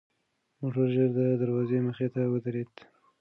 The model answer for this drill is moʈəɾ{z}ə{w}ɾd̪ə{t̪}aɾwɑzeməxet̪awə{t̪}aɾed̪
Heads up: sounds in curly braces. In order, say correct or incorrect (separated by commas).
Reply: incorrect, incorrect, incorrect, incorrect